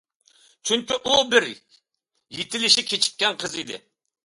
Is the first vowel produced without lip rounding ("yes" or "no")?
no